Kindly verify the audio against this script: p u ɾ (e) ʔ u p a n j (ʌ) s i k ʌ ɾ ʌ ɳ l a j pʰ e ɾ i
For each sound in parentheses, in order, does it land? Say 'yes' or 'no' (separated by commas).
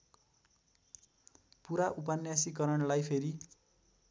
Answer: no, no